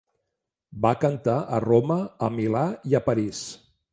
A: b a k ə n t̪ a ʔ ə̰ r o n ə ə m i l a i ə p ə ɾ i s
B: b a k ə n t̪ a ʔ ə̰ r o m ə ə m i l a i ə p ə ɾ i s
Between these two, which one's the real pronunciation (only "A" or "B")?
B